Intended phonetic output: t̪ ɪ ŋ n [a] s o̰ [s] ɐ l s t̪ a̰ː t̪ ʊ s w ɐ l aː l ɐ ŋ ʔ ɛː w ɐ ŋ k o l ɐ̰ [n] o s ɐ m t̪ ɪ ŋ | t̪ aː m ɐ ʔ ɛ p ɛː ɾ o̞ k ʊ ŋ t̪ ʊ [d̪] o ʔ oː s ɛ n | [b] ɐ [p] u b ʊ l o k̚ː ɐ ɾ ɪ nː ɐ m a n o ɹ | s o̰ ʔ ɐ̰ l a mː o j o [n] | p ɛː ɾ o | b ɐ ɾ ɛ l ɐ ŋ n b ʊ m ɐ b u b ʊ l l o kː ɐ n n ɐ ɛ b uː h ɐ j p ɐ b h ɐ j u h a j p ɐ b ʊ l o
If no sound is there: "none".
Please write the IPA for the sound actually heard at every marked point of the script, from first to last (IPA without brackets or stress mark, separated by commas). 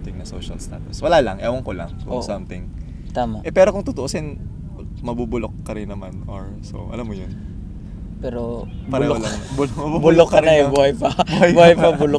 ɐ, ʃ, ŋ, t̪, m, b, n